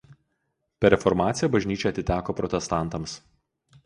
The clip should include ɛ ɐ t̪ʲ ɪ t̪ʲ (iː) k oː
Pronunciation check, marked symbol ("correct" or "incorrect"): incorrect